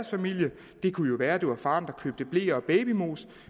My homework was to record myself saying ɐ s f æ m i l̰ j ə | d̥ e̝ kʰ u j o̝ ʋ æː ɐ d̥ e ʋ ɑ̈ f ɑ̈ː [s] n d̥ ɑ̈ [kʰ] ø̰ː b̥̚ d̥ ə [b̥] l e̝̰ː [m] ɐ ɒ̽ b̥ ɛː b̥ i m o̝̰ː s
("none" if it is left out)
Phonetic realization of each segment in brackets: none, kʰ, b̥, none

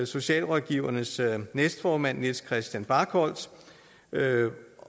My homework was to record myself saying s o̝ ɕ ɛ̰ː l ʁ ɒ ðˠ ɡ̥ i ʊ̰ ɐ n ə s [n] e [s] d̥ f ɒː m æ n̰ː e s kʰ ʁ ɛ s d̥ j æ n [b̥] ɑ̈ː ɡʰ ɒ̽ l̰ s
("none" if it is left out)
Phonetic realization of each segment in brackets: n, s, b̥

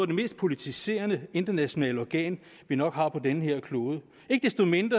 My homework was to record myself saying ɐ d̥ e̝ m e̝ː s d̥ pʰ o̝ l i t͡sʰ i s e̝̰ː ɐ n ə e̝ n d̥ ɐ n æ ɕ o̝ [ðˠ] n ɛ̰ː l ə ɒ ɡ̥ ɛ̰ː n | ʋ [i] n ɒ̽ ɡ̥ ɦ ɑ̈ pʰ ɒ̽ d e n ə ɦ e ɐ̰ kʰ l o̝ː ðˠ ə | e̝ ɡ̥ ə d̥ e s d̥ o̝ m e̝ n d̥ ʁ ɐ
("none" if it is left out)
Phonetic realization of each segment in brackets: none, i

